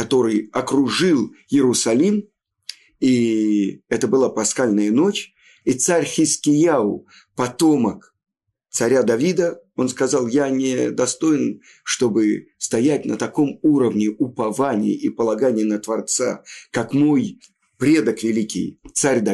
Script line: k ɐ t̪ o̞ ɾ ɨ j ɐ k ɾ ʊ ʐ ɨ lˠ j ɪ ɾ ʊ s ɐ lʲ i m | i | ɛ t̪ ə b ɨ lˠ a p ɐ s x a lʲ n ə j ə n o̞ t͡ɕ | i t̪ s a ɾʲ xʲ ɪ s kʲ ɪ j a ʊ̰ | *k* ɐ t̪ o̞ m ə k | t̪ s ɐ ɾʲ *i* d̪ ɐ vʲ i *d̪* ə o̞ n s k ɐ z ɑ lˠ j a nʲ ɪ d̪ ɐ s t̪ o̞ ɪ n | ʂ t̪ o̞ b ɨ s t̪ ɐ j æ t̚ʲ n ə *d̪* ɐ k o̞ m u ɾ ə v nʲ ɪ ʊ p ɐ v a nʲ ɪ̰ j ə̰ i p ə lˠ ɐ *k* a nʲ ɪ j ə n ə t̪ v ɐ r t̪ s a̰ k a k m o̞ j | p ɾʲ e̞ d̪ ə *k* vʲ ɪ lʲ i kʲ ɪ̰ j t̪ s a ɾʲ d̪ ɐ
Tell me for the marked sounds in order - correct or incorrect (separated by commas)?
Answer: incorrect, incorrect, correct, incorrect, incorrect, correct